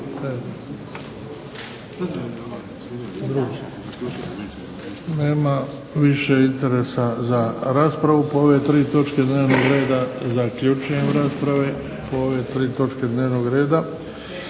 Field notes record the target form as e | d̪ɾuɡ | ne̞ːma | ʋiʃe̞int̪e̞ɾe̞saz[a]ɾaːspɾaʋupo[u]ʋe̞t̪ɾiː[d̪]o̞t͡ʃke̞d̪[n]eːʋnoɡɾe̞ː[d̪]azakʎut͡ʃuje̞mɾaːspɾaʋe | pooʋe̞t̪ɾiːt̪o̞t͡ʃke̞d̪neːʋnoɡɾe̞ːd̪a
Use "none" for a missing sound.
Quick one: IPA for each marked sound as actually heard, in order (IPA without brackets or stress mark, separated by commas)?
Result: a, o, t̪, n, d̪